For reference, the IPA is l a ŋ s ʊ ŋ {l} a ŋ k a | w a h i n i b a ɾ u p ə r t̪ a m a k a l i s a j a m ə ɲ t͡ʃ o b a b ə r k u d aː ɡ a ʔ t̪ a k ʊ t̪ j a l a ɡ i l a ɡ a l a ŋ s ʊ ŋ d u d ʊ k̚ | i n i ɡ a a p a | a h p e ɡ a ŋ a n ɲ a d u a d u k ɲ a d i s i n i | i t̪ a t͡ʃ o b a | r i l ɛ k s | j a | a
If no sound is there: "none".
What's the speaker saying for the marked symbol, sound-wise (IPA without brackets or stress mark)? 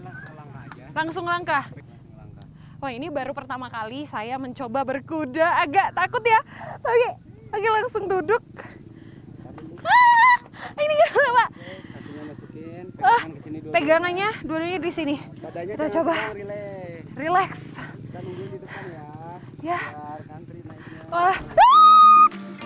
l